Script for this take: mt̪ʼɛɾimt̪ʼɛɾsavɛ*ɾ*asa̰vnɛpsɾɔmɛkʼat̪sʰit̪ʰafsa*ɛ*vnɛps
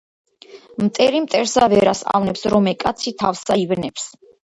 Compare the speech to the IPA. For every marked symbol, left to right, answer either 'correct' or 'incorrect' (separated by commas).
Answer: correct, incorrect